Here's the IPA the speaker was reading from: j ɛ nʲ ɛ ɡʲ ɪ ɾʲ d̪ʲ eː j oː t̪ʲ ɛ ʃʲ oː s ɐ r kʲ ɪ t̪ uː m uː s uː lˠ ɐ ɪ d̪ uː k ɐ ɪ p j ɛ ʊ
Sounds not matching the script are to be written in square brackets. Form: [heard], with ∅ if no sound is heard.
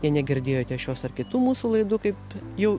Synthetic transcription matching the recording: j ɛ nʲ ɛ ɡʲ ɪ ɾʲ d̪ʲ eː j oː t̪ʲ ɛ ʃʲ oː s ɐ r kʲ ɪ t̪ uː m uː s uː lˠ ɐ ɪ d̪ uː k ɐ ɪ p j ɛ ʊ